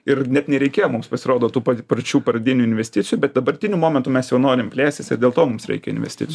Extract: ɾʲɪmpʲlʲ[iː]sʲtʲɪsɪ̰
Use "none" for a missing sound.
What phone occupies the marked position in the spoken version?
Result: æː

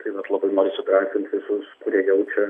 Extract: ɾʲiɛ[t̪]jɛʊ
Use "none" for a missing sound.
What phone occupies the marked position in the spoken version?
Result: none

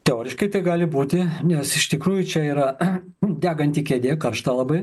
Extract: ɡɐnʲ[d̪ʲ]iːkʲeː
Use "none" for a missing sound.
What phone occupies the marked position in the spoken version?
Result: t̪ʲ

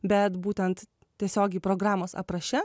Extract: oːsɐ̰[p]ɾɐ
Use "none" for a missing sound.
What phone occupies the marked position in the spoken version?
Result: p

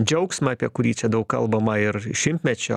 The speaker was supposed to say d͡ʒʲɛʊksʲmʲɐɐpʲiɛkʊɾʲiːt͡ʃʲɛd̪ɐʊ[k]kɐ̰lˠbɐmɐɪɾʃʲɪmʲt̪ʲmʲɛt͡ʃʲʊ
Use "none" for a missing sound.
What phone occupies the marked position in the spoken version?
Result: k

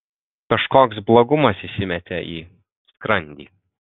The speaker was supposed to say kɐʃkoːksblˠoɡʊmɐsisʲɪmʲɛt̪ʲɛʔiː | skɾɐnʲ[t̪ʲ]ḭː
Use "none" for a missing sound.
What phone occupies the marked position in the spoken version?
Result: d̪ʲ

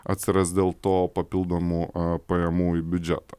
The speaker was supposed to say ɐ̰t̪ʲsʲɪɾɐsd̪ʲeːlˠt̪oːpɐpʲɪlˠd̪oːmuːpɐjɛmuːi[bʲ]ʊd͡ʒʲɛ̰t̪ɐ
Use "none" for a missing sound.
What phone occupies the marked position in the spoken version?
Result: bʲ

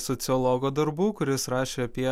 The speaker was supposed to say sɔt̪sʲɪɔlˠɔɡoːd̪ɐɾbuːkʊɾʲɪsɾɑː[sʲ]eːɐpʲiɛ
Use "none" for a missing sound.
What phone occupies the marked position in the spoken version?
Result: ʃʲ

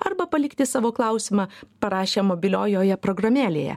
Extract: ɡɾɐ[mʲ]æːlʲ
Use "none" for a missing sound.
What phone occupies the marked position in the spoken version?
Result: mʲ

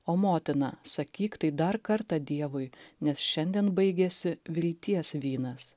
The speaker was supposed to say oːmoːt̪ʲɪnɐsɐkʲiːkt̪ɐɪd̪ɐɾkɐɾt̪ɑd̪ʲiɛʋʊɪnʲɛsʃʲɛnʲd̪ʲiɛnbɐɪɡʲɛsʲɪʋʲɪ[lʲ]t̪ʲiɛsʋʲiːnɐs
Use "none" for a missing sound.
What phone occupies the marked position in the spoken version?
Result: lʲ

